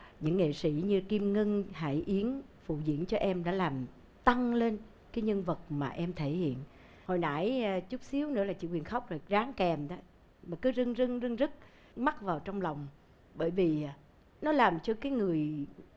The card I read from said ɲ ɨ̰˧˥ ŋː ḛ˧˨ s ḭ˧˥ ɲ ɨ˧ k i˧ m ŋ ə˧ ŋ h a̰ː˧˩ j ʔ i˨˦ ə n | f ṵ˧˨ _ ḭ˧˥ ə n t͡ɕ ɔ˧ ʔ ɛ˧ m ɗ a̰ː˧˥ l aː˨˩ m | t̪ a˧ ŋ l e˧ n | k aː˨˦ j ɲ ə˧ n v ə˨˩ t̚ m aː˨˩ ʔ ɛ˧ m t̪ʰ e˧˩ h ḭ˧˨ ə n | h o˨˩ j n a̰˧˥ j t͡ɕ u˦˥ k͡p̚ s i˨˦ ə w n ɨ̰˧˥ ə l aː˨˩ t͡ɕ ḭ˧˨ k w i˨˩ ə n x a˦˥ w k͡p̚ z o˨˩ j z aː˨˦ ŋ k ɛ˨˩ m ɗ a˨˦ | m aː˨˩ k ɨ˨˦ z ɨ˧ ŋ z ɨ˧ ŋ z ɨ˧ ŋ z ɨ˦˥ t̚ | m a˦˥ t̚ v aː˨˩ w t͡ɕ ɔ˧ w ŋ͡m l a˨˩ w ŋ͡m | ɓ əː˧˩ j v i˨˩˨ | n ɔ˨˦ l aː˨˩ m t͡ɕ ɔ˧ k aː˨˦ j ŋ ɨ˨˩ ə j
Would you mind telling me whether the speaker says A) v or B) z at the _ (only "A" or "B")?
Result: B